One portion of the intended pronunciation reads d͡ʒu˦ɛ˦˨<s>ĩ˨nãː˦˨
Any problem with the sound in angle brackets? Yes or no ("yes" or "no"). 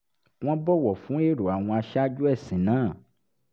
no